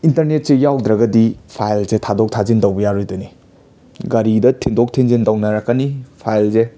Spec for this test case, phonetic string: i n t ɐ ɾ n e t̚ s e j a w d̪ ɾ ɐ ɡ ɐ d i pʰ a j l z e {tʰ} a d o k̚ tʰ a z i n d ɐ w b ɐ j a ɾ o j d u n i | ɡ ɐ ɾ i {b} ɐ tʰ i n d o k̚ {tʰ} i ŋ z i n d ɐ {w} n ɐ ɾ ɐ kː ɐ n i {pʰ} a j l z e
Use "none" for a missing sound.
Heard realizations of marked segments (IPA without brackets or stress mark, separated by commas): tʰ, d, tʰ, w, pʰ